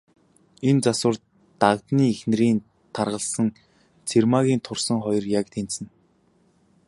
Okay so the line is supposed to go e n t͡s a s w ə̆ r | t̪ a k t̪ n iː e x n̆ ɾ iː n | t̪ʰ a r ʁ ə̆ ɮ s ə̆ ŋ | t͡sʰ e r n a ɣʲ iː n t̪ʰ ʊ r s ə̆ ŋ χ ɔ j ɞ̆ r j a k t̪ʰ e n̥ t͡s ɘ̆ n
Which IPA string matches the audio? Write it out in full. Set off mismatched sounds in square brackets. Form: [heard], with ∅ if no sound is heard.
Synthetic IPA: e n t͡s a s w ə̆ r | t̪ a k t̪ n iː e x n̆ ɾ iː n | t̪ʰ a r ʁ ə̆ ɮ s ə̆ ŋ | t͡sʰ e r [m] a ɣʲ iː n t̪ʰ ʊ r s ə̆ ŋ χ ɔ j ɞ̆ r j a k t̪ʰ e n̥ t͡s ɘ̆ n